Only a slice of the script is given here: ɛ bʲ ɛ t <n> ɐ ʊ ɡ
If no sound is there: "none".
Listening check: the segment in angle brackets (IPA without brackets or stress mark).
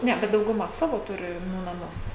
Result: d